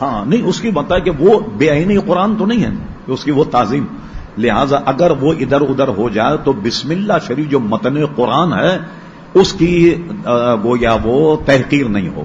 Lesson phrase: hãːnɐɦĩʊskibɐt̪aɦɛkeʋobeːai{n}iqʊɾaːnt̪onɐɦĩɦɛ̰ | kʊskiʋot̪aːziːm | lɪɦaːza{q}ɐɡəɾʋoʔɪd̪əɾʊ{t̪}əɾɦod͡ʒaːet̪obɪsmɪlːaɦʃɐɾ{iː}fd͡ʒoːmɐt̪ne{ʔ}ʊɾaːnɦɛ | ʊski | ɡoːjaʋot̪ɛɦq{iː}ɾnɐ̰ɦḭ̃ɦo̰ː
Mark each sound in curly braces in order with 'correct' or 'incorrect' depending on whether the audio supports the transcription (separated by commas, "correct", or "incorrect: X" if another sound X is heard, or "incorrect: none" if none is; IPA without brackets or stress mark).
correct, incorrect: ʔ, incorrect: d̪, correct, incorrect: q, correct